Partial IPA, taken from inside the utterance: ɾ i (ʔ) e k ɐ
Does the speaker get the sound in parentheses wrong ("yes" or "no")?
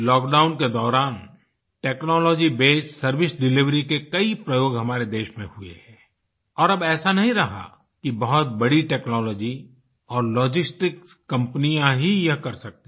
yes